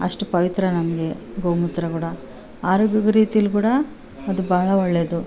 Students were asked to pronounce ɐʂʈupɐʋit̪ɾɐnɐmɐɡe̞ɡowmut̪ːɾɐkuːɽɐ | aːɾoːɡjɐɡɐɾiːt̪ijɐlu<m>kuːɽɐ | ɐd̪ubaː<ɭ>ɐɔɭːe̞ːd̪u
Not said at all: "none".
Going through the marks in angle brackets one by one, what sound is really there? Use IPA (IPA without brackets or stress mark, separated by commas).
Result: none, ɭ